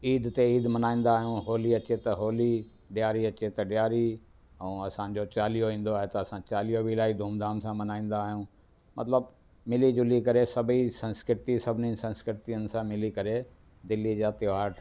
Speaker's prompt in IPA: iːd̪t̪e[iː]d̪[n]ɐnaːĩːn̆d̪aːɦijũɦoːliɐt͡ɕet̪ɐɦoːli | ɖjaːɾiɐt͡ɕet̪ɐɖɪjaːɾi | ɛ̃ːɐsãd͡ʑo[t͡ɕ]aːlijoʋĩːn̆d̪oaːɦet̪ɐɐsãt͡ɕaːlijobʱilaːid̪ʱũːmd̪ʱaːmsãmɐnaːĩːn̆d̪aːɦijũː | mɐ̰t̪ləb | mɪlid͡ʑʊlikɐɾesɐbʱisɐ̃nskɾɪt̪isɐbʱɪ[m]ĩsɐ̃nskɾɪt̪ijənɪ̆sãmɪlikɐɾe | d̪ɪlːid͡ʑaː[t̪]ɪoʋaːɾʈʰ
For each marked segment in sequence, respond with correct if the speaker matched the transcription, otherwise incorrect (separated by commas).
correct, incorrect, correct, incorrect, correct